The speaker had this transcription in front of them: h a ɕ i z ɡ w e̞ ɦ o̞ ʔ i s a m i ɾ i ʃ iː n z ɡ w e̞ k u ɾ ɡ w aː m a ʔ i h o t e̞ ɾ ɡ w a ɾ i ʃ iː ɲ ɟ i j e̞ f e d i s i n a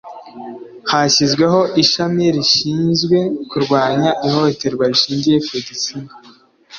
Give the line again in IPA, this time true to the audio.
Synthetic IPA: h a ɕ i z ɡ w e̞ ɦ o̞ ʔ i ʃ a m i ɾ i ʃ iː n z ɡ w e̞ k u ɾ ɡ w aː ɲ a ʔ i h o t e̞ ɾ ɡ w a ɾ i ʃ iː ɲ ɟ i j e̞ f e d i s i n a